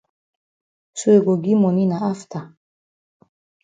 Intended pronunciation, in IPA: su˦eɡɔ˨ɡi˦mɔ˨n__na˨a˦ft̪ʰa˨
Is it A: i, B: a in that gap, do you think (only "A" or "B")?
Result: A